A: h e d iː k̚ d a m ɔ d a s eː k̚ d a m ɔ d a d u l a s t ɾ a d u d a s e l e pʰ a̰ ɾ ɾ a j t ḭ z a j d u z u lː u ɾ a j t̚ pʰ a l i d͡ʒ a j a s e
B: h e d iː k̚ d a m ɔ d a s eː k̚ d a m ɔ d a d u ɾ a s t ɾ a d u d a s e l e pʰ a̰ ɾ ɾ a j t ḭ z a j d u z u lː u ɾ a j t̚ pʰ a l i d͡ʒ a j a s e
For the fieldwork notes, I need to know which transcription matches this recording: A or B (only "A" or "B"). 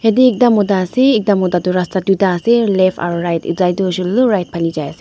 B